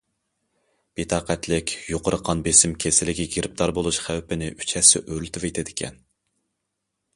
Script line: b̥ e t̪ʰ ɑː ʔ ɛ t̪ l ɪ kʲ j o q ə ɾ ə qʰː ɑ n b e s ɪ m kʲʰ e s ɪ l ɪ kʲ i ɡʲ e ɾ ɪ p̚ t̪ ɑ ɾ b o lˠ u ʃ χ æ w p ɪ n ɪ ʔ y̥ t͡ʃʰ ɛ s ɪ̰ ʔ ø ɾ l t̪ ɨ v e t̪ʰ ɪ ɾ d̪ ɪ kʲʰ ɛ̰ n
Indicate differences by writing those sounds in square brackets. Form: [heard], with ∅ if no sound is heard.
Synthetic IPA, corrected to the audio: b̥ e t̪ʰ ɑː [q] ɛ t̪ l ɪ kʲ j o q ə ɾ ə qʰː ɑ n b e s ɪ m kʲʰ e s ɪ l ɪ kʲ i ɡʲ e ɾ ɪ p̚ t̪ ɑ ɾ b o lˠ u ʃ χ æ w p ɪ n ɪ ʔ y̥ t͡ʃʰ ɛ s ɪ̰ ʔ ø ɾ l t̪ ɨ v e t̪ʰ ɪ [∅] d̪ ɪ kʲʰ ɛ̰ n

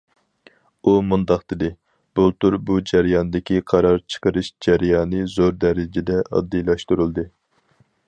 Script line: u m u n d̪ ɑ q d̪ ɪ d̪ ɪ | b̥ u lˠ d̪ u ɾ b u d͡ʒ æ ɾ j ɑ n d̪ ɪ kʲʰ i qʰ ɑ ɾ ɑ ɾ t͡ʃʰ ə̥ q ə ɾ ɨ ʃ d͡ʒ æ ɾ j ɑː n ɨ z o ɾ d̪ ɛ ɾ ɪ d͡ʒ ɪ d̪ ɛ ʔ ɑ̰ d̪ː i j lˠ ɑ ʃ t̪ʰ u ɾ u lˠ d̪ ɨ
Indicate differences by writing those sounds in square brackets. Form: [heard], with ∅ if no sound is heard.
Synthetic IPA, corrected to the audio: u m u n d̪ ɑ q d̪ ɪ d̪ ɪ | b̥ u lˠ [t̪] u ɾ b u d͡ʒ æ ɾ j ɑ n d̪ ɪ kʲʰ i qʰ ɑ ɾ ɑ ɾ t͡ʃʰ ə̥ q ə ɾ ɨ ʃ d͡ʒ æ ɾ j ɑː n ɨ z o ɾ d̪ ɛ ɾ ɪ d͡ʒ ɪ d̪ ɛ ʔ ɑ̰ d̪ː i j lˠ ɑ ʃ [t̪] u ɾ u lˠ d̪ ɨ

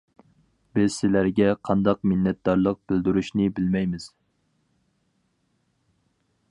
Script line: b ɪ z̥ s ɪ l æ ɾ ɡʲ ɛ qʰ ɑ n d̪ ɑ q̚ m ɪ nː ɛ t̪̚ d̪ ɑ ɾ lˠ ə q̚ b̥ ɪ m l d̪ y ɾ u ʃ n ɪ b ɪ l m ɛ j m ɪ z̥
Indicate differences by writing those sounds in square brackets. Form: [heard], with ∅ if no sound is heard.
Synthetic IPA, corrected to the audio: b ɪ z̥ s ɪ l æ ɾ ɡʲ ɛ qʰ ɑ n d̪ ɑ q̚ m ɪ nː ɛ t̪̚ d̪ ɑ ɾ lˠ ə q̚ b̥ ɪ [∅] l d̪ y ɾ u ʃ n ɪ b ɪ l m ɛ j m ɪ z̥

